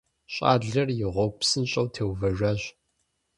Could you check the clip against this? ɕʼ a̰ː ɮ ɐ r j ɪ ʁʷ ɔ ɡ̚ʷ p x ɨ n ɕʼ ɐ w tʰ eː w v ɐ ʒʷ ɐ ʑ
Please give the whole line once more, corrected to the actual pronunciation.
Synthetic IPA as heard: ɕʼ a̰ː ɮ ɐ r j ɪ ʁʷ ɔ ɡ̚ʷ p s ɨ n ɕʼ ɐ w tʰ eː w v ɐ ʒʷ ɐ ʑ